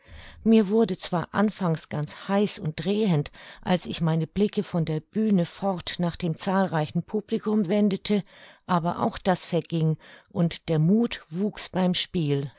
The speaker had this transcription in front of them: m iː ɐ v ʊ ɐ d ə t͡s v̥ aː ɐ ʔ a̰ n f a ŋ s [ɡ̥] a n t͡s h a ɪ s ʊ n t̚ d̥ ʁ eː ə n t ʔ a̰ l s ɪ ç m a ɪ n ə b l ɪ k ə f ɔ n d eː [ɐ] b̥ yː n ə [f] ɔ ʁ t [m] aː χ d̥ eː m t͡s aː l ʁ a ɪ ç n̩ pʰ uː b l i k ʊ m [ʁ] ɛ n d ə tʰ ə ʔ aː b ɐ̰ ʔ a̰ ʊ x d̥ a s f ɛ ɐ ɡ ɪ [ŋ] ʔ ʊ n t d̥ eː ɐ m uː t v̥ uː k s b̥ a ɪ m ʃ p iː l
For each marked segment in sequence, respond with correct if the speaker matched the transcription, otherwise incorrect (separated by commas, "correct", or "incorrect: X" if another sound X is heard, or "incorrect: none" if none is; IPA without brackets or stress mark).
correct, correct, correct, incorrect: n, incorrect: v, correct